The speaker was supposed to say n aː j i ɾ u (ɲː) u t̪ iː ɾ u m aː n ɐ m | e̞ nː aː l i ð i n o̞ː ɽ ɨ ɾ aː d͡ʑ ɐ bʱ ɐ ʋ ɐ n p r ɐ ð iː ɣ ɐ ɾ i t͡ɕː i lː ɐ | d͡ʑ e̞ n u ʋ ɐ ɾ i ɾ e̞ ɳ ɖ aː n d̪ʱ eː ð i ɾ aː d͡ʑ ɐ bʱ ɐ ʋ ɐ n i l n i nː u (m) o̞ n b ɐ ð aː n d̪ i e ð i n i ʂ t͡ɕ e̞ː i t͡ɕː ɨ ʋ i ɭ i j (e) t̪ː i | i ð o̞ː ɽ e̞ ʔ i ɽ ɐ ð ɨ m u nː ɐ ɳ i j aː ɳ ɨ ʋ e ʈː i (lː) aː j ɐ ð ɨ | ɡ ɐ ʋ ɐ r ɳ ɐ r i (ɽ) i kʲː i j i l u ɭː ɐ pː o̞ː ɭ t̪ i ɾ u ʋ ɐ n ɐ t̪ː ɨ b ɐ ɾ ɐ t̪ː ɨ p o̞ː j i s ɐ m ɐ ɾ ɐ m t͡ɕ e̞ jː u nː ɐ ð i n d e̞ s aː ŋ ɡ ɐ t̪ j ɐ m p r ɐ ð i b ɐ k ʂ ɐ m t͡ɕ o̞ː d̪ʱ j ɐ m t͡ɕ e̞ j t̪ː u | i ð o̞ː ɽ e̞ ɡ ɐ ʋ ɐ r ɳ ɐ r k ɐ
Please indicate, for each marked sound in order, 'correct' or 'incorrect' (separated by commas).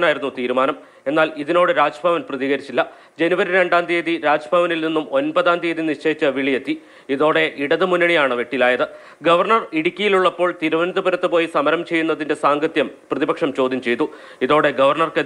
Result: incorrect, correct, correct, incorrect, correct